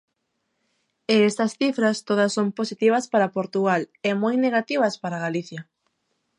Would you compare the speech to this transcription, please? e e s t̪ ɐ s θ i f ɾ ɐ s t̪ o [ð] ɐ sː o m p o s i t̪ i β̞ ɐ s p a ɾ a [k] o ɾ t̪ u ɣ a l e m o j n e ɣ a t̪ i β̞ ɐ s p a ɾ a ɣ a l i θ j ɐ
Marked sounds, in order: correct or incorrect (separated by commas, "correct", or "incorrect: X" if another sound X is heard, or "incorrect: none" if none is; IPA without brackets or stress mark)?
correct, incorrect: p